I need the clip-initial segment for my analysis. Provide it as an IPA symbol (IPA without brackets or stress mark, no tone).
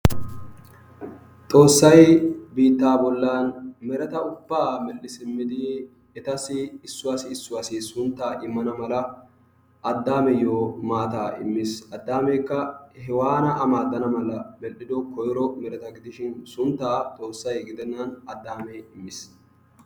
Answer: t̪ʼ